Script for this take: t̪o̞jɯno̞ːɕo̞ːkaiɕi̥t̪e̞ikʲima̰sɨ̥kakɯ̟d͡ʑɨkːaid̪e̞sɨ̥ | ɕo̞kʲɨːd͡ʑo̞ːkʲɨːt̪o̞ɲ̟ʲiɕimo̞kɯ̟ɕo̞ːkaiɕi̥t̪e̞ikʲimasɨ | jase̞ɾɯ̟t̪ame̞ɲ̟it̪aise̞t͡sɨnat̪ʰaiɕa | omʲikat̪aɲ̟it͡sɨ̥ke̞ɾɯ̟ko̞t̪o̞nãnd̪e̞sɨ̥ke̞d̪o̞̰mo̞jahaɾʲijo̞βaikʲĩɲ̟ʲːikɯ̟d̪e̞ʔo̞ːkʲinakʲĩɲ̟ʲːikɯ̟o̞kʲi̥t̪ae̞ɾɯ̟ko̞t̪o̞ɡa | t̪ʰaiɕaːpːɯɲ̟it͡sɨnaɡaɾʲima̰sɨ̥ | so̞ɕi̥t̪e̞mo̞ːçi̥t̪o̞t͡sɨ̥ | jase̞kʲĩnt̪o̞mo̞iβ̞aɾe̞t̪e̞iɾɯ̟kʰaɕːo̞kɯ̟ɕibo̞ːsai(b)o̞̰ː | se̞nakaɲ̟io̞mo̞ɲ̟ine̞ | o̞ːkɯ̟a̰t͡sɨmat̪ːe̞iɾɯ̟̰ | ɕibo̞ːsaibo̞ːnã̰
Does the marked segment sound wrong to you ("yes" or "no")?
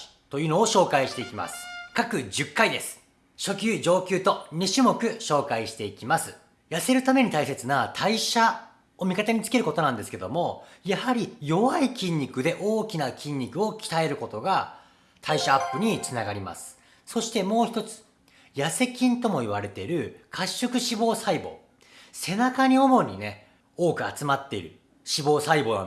no